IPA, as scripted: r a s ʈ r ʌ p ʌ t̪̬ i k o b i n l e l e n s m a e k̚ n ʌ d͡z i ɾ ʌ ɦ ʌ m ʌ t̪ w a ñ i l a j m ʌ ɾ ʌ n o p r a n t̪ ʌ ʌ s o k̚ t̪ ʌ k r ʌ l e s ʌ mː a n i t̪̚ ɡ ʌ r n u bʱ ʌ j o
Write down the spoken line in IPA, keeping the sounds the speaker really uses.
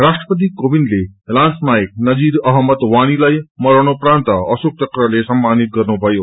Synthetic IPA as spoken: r a s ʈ r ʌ p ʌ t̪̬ i k o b i n l e l a n s m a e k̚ n ʌ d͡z i ɾ ʌ ɦ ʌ m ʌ t̪ w a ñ i l a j m ʌ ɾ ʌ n o p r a n t̪ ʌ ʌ s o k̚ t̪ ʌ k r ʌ l e s ʌ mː a n i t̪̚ ɡ ʌ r n u bʱ ʌ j o